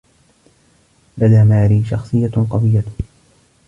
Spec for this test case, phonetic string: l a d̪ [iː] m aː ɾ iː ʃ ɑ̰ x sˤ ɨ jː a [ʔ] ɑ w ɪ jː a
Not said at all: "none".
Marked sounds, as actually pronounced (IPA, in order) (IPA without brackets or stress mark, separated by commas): aː, q